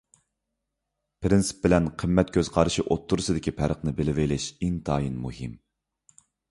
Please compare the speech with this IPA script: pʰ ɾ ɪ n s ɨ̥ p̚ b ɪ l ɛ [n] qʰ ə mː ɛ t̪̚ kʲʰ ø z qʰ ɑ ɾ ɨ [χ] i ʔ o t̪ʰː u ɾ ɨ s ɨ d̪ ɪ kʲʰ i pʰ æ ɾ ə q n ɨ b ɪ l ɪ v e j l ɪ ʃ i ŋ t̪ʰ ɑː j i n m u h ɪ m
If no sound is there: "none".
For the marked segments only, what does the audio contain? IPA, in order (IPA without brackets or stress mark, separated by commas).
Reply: n, ʃ